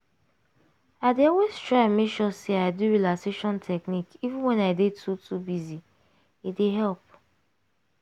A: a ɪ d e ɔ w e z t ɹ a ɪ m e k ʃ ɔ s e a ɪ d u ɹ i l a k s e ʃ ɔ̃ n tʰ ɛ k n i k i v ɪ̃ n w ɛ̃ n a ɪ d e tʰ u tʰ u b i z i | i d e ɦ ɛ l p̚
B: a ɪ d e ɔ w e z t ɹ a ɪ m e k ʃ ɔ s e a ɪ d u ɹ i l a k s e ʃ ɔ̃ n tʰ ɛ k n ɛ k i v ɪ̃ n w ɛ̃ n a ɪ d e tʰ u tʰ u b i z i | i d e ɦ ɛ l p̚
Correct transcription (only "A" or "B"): A